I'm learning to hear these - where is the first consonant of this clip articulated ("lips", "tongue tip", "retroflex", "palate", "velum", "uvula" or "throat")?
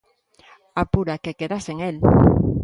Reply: lips